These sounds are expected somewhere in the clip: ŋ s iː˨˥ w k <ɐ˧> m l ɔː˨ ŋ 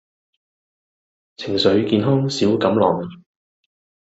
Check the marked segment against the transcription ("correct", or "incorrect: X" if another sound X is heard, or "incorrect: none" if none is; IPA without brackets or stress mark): incorrect: ɐ˨˥